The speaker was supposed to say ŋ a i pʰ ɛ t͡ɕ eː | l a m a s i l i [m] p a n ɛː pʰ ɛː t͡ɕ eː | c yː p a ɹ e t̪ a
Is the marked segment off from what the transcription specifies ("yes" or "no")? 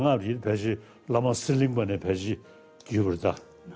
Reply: yes